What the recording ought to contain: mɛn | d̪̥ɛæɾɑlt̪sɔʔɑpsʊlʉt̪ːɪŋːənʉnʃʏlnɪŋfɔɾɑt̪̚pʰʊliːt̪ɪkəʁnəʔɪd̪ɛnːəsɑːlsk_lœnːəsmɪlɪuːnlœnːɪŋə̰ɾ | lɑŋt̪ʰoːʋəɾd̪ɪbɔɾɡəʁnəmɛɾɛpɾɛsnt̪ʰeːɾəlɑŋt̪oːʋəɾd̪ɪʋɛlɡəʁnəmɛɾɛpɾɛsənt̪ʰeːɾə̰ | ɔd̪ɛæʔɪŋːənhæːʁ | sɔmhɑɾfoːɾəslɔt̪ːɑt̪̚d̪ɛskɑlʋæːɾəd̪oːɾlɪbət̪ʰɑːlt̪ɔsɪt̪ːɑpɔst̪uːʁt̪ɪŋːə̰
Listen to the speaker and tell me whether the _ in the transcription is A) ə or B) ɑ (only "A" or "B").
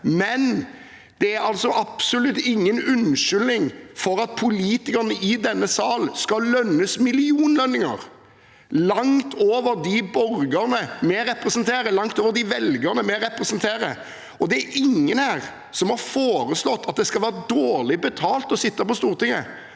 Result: B